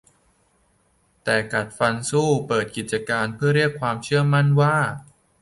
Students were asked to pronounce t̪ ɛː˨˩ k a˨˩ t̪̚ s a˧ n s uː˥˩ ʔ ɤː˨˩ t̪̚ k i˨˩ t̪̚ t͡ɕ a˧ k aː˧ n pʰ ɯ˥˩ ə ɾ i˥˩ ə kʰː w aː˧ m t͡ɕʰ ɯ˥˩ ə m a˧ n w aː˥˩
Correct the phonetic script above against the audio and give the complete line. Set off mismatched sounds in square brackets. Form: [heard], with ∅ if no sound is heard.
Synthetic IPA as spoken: t̪ ɛː˨˩ k a˨˩ t̪̚ [f] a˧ n s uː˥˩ [p] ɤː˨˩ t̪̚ k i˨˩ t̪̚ t͡ɕ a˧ k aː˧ n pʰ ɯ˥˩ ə ɾ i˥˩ ə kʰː w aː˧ m t͡ɕʰ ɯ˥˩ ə m [a˥˩] n w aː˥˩